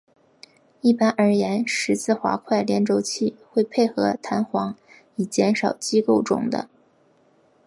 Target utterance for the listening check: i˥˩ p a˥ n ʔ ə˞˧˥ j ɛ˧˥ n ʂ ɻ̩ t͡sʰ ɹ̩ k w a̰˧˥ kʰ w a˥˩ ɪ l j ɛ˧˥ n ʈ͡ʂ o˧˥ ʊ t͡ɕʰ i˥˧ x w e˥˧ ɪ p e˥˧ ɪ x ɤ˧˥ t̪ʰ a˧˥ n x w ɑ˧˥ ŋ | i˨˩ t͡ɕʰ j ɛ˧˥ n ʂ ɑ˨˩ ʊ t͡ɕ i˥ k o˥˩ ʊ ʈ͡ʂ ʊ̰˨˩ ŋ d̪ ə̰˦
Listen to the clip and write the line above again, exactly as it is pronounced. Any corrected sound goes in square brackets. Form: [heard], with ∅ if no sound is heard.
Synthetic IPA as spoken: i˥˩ p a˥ n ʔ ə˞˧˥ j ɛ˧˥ n ʂ ɻ̩ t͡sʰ ɹ̩ [x] w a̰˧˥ kʰ w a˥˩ ɪ l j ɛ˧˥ n ʈ͡ʂ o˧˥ ʊ t͡ɕʰ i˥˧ x w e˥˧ ɪ [pʰ] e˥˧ ɪ x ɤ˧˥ t̪ʰ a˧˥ n x w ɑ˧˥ ŋ | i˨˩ [t͡ɕ] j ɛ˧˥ n ʂ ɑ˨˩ ʊ t͡ɕ i˥ k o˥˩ ʊ ʈ͡ʂ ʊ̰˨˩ ŋ d̪ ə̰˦